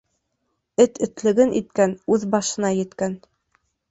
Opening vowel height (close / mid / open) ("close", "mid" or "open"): mid